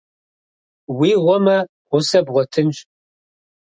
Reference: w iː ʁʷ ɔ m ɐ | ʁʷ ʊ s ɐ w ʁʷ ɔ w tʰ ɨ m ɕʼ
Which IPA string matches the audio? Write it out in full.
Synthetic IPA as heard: w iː ʁʷ ɔ m ɐ | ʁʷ ʊ s ɐ b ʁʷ ɔ tʰ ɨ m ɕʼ